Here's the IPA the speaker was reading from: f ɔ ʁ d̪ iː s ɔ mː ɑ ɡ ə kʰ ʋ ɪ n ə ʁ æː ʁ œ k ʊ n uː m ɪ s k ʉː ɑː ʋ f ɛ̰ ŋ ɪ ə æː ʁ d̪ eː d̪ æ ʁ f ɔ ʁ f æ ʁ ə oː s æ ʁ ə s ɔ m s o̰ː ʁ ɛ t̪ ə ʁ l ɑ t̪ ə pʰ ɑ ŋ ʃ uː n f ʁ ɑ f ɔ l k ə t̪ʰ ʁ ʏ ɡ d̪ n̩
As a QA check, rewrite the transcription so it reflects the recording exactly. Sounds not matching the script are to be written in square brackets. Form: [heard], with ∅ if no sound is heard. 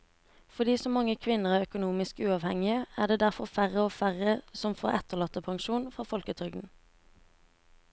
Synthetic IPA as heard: f ɔ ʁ d̪ iː s ɔ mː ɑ [ŋ] ə kʰ ʋ ɪ n ə ʁ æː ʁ œ k ʊ n uː m ɪ s k ʉː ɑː ʋ [h] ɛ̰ ŋ ɪ ə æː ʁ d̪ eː d̪ æ ʁ f ɔ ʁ f æ ʁ ə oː [f] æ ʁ ə s ɔ m [f] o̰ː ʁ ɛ t̪ ə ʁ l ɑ t̪ ə pʰ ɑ ŋ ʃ uː n f ʁ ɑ f ɔ l k ə t̪ʰ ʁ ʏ ɡ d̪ n̩